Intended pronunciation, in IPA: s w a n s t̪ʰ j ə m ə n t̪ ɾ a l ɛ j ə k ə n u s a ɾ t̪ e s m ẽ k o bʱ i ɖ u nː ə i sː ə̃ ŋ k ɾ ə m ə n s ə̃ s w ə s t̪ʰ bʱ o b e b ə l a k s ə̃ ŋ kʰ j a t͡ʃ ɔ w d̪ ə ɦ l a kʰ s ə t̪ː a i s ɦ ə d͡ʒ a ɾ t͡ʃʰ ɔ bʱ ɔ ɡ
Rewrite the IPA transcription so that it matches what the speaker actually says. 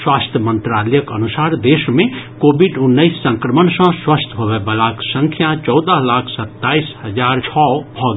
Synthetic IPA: s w a s t̪ʰ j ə m ə n t̪ ɾ a l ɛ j ə k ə n u s a ɾ d̪ e s m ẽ k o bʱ i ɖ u nː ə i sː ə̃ ŋ k ɾ ə m ə n s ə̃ s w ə s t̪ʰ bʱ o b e b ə l a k s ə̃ ŋ kʰ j a t͡ʃ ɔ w d̪ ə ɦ l a kʰ s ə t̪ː a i s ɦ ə d͡ʒ a ɾ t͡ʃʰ ɔ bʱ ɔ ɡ